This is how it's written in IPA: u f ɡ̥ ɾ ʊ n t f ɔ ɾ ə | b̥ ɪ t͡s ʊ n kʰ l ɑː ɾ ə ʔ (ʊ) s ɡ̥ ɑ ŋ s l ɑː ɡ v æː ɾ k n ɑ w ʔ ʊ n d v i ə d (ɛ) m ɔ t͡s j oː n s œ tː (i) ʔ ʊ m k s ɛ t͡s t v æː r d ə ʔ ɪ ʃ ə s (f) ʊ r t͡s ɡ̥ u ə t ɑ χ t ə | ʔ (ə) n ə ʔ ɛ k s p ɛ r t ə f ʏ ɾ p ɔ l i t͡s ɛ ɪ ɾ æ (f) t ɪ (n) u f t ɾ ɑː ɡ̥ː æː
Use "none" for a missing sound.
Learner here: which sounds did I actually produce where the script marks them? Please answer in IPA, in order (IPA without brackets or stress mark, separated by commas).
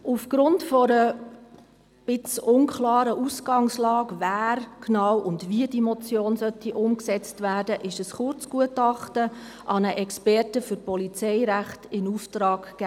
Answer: u, i, i, χ, ɑ, χ, n